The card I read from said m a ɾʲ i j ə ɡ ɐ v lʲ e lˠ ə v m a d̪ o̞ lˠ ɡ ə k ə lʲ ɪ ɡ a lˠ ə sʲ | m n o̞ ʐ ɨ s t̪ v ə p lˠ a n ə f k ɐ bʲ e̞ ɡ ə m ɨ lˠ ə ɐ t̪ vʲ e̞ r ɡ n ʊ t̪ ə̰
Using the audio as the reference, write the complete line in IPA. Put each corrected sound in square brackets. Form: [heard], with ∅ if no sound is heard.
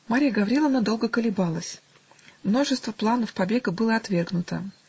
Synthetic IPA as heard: m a ɾʲ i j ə ɡ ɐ v [ɾʲ] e lˠ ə v [n] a d̪ o̞ lˠ ɡ ə k ə lʲ ɪ [b] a lˠ ə sʲ | m n o̞ ʐ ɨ s t̪ v ə p lˠ a n ə f [p] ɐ bʲ e̞ ɡ ə [b] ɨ lˠ ə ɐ t̪ vʲ e̞ r ɡ n ʊ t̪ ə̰